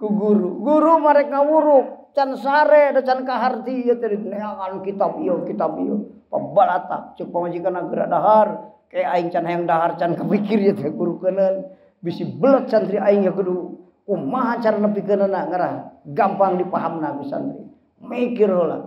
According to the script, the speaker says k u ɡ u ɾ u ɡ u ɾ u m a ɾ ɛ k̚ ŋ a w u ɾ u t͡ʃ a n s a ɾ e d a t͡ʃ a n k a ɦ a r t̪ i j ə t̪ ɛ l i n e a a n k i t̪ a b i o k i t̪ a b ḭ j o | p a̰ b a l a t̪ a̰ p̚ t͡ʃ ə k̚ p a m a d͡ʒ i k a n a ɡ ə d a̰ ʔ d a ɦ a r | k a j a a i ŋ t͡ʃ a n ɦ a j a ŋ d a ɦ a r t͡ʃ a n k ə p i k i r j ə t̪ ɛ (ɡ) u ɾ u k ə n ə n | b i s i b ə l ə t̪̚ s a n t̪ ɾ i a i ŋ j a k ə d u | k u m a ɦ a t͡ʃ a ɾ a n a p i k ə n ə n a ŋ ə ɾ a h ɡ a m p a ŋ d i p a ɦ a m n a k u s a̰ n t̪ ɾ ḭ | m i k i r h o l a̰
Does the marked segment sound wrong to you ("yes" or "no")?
no